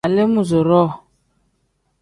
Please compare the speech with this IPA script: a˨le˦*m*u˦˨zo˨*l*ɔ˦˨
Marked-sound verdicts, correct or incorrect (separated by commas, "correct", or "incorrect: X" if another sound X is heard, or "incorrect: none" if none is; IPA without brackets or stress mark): correct, incorrect: ɾ